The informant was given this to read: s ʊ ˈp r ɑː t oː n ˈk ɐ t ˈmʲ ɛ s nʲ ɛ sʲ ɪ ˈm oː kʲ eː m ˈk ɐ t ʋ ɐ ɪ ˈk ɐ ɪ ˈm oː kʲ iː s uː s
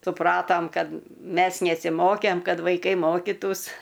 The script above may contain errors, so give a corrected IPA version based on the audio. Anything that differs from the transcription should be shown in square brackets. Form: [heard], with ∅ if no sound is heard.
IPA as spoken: s ʊ ˈp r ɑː t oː [m] ˈk ɐ t ˈmʲ ɛ s nʲ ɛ sʲ ɪ ˈm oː kʲ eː m ˈk ɐ t ʋ ɐ ɪ ˈk ɐ ɪ ˈm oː kʲ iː [t] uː s